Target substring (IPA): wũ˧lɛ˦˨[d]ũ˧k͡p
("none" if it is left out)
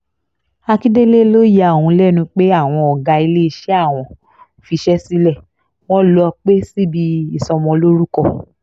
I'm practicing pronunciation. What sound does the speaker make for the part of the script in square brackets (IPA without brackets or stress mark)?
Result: n